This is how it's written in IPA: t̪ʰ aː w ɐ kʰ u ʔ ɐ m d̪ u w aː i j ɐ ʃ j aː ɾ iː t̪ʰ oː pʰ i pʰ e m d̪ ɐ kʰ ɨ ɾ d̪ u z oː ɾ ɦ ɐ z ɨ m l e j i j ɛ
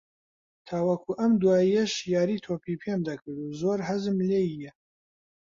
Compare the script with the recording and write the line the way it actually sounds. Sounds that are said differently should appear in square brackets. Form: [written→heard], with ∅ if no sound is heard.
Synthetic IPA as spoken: t̪ʰ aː w ɐ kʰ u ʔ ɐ m d̪ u w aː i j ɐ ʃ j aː ɾ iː t̪ʰ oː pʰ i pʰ e m d̪ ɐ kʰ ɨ ɾ d̪ u z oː ɾ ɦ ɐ z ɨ m l e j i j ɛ